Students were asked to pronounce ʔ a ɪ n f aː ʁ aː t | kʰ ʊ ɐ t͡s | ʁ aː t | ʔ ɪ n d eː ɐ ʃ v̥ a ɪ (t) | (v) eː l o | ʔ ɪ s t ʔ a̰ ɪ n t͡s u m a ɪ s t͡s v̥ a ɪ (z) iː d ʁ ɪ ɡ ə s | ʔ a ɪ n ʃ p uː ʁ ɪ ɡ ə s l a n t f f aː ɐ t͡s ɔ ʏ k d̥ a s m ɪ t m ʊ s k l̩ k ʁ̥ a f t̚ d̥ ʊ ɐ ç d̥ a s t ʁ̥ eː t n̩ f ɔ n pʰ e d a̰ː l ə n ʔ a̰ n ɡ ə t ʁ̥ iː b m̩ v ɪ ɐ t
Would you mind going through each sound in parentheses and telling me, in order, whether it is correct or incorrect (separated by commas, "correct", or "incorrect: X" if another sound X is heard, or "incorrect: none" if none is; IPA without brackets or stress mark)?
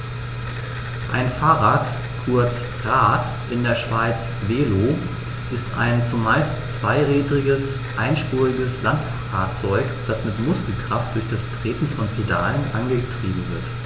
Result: incorrect: t͡s, correct, incorrect: ʁ